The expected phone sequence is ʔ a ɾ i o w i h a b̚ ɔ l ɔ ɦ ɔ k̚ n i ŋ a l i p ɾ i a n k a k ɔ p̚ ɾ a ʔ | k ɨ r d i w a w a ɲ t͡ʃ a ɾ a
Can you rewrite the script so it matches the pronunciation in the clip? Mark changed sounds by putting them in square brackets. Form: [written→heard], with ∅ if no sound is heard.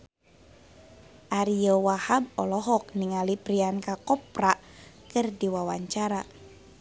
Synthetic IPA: ʔ a ɾ i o w [i→a] h a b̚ ɔ l ɔ ɦ ɔ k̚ n i ŋ a l i p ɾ i a n k a k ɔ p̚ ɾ a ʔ | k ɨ r d i w a w a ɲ t͡ʃ a ɾ a